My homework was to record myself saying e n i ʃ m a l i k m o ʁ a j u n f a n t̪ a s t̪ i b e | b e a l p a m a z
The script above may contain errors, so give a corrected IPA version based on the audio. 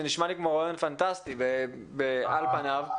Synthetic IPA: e n i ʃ m a l i k m o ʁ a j o n f a n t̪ a s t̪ i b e | b e a l p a n a v

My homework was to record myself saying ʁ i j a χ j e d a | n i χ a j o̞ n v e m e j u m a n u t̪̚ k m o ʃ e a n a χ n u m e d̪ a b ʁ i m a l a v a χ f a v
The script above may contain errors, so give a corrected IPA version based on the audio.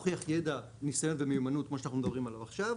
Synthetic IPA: χ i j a χ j e d a | n i s a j o̞ n v e m e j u m a n u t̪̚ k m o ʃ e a n a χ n u m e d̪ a b ʁ i m a l a v a χ ʃ a v

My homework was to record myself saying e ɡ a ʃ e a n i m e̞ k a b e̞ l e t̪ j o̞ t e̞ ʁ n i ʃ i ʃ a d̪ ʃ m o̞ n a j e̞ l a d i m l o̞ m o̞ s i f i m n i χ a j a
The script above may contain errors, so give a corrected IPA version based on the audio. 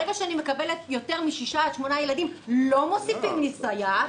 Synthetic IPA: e ɡ a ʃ e a n i m e̞ k a b e̞ l e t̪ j o̞ t e̞ ʁ m i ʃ i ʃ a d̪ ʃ m o̞ n a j e̞ l a d i m l o̞ m o̞ s i f i m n i s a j a

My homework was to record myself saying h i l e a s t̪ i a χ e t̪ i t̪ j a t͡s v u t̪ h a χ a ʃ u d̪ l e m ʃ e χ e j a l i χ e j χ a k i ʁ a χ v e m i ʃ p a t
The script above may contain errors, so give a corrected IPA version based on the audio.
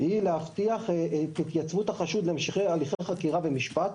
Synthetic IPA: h i l e a f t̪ i a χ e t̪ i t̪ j a t͡s v u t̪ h a χ a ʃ u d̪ l e m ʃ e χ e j a l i χ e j χ a k i ʁ a v e m i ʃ p a t

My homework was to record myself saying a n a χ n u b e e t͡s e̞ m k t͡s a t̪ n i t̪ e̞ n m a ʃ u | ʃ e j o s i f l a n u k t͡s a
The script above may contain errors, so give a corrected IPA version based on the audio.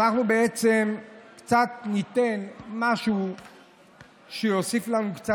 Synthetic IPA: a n a χ n u b e e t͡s e̞ m k t͡s a t̪ n i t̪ e̞ n m a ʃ u | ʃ e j o s i f l a n u k t͡s a

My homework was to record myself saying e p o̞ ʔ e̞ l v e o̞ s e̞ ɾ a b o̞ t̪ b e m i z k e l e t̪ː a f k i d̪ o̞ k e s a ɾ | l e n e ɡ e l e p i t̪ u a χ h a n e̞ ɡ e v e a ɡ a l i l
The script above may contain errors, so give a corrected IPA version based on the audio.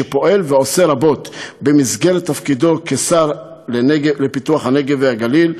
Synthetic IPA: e p o̞ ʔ e̞ l v e o̞ s e̞ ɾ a b o̞ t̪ b e m i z ɡ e l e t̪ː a f k i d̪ o̞ k e s a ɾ | l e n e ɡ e l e p i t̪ u a χ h a n e̞ ɡ e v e a ɡ a l i l

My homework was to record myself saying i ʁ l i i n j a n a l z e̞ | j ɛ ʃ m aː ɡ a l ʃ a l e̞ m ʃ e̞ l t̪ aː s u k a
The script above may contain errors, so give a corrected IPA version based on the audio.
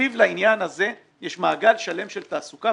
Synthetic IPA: i v l a i n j a n a z e̞ | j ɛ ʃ m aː ɡ a l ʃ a l e̞ m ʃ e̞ l t̪ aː s u k a

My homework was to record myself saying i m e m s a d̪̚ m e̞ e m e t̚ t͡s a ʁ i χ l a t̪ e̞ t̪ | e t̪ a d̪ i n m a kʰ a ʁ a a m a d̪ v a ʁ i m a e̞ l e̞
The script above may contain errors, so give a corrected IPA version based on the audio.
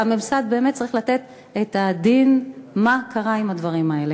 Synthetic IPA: a m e m s a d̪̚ b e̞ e m e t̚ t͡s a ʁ i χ l a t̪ e̞ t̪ | e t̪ a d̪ i n m a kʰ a ʁ a i m a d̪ v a ʁ i m a e̞ l e̞

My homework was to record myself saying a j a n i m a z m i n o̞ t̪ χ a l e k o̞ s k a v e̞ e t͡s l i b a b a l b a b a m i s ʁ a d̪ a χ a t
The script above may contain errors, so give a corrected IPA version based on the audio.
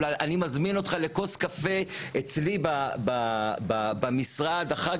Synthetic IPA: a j a n i m a z m i n o̞ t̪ χ a l e k o̞ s k a f e̞ e t͡s l i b a b a b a b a m i s ʁ a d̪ a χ a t

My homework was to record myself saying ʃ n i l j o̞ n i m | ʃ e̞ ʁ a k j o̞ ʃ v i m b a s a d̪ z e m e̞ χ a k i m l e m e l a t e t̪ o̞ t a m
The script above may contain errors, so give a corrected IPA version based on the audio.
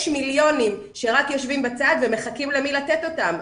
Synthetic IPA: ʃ m i l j o̞ n i m | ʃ e̞ ʁ a k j o̞ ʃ v i m b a t͡s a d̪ v e m e̞ χ a k i m l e m i l a t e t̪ o̞ t a m

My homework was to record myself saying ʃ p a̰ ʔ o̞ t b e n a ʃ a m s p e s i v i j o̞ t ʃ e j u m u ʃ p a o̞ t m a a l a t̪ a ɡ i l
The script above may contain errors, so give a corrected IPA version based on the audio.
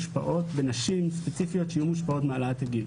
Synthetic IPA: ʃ p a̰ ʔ o̞ t b e n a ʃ i m s p e t͡s i f i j o̞ t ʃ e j u m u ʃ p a o̞ t m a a l a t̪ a ɡ i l

